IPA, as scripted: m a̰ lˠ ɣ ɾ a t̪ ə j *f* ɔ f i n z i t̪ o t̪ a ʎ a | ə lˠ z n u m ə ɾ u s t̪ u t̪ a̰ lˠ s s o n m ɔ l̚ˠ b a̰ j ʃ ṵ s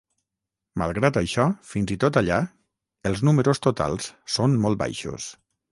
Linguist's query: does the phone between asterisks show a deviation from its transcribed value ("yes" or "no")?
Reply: yes